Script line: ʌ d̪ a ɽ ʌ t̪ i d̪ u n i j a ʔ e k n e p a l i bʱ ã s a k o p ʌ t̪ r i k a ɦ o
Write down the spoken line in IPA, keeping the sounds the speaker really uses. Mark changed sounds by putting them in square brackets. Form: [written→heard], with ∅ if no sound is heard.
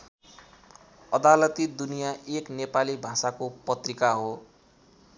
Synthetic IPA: ʌ d̪ a [ɽ→l] ʌ t̪ i d̪ u n i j a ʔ e k n e p a l i bʱ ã s a k o p ʌ t̪ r i k a ɦ o